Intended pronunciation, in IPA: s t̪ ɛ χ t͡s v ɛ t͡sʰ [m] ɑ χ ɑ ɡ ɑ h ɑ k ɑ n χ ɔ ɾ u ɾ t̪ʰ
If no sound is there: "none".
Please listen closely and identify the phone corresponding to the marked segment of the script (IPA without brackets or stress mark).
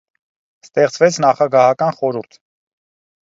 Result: n